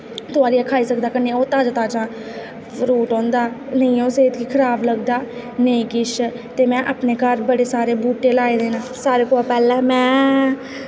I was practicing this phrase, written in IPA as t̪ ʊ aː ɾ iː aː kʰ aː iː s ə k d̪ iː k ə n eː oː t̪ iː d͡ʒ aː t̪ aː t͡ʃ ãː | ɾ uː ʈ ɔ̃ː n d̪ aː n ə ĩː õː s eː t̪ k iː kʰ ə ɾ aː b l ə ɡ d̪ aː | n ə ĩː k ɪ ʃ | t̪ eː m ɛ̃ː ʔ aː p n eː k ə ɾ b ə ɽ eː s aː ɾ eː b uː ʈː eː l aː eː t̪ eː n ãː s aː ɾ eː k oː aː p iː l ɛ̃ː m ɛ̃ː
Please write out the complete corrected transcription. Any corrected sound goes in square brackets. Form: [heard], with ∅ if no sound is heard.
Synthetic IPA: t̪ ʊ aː ɾ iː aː kʰ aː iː s ə k d̪ [aː] k ə n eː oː t̪ [aː] d͡ʒ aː t̪ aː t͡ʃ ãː | ɾ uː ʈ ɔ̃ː n d̪ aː n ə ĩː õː s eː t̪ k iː kʰ ə ɾ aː b l ə ɡ d̪ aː | n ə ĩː k ɪ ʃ | t̪ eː m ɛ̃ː ʔ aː p n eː k ə ɾ b ə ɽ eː s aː ɾ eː b uː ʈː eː l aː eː [d̪] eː n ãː s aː ɾ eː k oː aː p [ɛː] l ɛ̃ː m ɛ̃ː